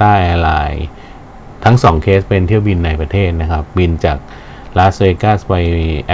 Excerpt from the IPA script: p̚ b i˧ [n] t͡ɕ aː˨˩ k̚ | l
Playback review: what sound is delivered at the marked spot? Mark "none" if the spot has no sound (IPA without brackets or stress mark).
n